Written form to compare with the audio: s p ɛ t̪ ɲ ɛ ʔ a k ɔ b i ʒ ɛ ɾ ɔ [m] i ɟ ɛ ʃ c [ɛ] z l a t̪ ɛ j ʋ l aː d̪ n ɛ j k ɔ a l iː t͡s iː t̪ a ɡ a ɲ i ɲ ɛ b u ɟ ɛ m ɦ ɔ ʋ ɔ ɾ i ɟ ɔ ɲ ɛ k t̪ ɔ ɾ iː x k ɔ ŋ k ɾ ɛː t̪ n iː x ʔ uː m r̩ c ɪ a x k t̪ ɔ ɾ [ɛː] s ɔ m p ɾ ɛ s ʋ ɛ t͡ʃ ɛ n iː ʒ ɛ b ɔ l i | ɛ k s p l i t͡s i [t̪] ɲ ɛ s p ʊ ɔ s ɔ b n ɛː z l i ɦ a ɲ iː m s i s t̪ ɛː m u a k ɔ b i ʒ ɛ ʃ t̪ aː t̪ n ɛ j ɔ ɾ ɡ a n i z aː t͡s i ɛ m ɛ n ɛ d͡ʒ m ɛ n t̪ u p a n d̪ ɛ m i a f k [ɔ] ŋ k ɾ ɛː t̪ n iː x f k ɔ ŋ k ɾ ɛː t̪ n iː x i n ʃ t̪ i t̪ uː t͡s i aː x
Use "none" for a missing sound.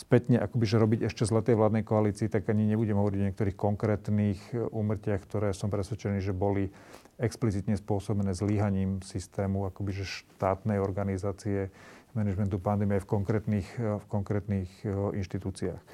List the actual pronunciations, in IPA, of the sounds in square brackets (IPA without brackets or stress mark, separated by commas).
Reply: b, ɛ, ɛː, t̪, ɔ